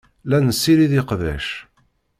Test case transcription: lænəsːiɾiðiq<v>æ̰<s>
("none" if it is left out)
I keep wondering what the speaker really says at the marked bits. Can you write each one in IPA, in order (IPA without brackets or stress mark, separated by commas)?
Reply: ð, ʃ